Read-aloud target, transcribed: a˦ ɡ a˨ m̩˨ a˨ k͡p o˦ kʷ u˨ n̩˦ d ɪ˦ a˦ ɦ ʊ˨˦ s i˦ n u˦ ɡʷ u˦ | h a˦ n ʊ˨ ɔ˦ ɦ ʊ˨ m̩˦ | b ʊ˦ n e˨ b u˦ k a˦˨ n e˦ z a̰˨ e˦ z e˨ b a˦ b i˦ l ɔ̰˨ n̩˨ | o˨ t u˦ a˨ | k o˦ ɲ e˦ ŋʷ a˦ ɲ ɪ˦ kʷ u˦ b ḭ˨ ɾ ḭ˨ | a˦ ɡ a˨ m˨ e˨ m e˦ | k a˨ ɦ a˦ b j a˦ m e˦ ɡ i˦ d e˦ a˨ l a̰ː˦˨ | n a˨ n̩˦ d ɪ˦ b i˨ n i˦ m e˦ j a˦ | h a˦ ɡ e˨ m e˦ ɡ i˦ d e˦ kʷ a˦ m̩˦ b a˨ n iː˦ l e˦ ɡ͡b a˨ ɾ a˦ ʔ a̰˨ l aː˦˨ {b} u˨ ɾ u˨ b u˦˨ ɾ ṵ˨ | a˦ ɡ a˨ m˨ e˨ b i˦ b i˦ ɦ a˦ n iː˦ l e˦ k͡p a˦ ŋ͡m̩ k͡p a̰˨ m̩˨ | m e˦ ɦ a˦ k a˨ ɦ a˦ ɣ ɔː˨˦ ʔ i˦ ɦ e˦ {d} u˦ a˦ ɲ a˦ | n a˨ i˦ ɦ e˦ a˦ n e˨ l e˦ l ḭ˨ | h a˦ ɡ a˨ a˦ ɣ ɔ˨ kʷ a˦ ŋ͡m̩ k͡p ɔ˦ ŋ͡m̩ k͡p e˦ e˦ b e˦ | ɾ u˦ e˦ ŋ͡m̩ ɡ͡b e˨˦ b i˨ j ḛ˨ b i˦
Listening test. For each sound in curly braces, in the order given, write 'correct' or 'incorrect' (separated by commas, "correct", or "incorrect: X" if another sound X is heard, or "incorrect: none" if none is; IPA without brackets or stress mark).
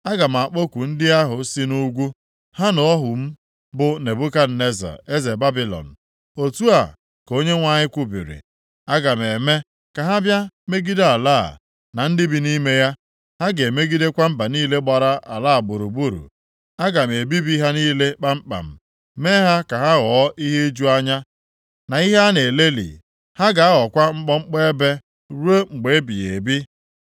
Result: correct, incorrect: d͡ʒ